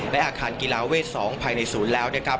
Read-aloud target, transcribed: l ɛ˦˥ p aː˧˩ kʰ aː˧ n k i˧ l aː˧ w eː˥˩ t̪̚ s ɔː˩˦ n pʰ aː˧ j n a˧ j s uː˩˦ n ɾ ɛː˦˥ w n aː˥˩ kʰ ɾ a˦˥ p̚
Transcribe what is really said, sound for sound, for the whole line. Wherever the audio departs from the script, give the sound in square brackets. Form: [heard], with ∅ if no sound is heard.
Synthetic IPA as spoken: l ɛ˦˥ [ʔ] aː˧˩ kʰ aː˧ n k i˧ l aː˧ w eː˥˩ t̪̚ s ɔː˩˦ [ŋ] pʰ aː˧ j n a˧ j s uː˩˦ n [l] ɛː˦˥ w n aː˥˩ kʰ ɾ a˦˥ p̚